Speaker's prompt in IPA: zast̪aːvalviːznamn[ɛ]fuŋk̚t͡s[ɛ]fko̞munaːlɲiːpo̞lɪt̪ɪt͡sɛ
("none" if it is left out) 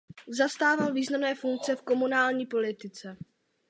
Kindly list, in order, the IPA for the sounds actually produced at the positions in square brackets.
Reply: ɛː, ɛ

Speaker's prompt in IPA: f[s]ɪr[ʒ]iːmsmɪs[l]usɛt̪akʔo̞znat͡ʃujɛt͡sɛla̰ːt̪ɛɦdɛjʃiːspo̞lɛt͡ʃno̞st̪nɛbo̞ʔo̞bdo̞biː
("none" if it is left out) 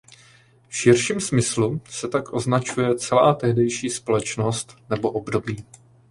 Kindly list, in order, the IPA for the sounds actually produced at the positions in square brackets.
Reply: ʃ, ʃ, l

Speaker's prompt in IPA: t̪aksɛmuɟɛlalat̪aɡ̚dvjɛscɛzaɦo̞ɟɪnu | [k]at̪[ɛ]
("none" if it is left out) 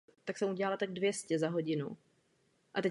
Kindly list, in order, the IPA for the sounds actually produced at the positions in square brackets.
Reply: ʔ, ɛ

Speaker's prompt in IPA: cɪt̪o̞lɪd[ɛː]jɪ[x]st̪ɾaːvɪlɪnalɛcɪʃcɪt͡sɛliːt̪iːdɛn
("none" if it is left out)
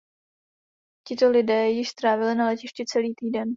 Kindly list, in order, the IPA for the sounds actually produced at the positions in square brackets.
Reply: ɛː, ʃ

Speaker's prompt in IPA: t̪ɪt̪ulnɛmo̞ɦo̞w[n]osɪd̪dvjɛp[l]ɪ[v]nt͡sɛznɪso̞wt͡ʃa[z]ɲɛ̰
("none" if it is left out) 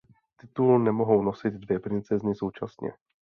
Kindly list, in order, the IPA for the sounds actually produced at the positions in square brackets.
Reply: n, ɾ, none, s

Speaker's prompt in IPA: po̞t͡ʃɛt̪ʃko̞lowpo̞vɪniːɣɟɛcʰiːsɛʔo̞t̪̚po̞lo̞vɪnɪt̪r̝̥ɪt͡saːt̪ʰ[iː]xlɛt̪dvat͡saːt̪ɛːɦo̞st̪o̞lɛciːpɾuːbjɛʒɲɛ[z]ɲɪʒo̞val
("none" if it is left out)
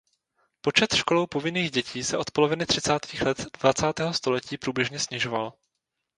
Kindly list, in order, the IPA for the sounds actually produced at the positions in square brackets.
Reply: iː, s

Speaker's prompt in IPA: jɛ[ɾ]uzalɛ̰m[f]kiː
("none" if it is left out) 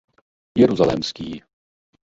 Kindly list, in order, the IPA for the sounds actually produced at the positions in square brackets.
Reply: ɾ, s

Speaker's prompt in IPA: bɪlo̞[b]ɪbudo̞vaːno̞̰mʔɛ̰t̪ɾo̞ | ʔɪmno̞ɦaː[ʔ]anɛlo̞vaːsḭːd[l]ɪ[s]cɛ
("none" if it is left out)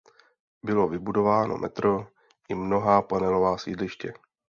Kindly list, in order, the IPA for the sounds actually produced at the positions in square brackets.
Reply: v, p, l, ʃ

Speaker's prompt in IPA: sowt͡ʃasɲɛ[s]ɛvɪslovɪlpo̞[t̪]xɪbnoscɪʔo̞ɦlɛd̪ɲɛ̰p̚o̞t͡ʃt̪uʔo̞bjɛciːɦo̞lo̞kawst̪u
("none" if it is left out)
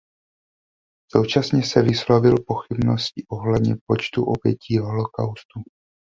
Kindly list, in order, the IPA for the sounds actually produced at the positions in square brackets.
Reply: s, none

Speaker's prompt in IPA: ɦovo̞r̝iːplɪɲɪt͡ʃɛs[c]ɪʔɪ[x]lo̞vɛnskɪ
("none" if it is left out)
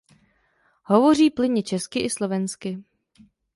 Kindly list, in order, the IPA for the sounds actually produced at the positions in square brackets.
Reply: k, s

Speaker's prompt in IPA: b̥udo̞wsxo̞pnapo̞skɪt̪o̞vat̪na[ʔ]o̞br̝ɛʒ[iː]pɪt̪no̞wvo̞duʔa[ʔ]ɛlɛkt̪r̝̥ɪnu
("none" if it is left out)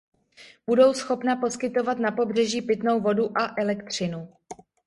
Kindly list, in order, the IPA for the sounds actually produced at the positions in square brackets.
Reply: p, iː, ʔ

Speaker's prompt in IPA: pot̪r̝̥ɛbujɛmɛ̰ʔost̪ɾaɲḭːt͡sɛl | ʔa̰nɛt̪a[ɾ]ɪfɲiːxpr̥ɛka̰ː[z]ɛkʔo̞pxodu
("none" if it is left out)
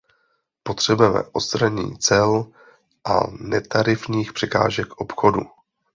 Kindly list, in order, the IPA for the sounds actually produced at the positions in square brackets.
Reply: ɾ, ʒ

